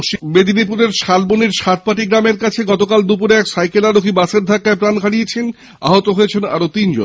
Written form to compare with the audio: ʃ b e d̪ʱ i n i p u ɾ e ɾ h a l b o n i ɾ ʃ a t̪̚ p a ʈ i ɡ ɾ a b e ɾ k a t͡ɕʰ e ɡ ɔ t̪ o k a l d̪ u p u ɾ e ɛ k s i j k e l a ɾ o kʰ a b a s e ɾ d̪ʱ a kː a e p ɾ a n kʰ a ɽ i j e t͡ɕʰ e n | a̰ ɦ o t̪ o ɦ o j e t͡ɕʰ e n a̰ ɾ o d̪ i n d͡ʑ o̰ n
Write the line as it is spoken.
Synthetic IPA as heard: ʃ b e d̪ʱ i n i p u ɾ e ɾ ʃ a l b o n i ɾ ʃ a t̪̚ p a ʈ i ɡ ɾ a m e ɾ k a t͡ɕʰ e ɡ ɔ t̪ o k a l d̪ u p u ɾ e ɛ k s a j k e l a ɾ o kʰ i b a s e ɾ d̪ʱ a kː a e p ɾ a n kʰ a ɽ i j e t͡ɕʰ e n | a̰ ɦ o t̪ o ɦ o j e t͡ɕʰ e n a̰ ɾ o t̪ i n d͡ʑ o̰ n